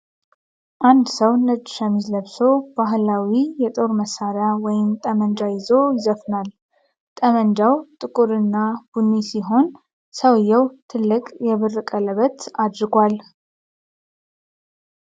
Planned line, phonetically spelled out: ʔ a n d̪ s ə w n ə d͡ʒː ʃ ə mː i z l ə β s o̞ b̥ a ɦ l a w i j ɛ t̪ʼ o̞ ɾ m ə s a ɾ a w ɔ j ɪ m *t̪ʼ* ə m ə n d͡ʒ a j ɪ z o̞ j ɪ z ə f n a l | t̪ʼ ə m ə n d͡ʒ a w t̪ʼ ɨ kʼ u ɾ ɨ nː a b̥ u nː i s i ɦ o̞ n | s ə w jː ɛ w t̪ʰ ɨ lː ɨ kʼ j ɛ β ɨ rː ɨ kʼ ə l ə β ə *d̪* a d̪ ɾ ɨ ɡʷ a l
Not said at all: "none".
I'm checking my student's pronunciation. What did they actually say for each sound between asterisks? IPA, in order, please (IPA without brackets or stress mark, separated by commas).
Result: t̪ʼ, t̪